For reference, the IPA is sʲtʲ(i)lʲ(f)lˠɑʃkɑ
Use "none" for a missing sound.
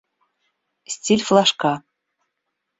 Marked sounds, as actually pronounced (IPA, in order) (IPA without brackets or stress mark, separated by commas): i, f